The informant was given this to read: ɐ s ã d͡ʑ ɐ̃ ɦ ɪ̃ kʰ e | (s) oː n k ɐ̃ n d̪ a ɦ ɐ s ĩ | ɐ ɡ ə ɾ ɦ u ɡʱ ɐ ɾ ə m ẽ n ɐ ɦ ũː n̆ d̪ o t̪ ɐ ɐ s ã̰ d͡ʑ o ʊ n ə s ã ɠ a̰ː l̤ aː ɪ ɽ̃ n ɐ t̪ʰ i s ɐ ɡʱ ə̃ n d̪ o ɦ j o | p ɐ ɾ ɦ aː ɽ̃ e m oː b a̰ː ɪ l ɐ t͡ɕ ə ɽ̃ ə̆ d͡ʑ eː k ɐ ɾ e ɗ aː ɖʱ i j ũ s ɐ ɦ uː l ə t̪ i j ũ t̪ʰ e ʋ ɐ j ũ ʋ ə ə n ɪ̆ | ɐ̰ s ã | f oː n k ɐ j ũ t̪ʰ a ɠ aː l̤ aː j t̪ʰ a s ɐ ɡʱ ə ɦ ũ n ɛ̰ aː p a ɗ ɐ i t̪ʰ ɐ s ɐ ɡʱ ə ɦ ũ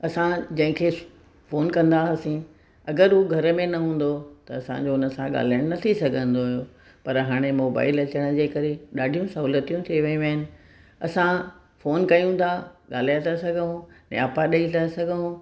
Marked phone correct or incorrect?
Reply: incorrect